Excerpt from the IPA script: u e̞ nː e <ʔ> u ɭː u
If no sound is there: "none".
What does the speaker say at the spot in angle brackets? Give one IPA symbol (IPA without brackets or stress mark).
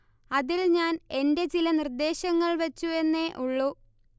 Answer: ʔ